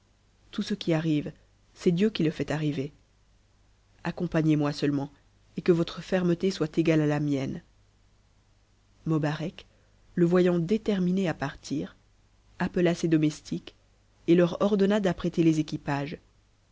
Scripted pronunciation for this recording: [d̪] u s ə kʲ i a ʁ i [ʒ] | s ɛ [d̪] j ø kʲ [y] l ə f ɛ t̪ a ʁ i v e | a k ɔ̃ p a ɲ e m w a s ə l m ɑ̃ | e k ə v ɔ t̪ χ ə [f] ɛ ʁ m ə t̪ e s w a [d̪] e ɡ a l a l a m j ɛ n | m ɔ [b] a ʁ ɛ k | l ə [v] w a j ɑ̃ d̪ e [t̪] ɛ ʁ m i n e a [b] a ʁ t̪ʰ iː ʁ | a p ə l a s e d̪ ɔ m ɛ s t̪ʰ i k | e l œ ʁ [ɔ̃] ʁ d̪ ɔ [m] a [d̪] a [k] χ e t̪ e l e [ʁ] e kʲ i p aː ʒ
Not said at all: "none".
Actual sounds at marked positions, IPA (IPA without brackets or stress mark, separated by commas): t̪, v, d̪, i, f, t̪, b, v, t̪, p, ɔ, n, d̪, p, z